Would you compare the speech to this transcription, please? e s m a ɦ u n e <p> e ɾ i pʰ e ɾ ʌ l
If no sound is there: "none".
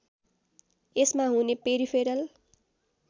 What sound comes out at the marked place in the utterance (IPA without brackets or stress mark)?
p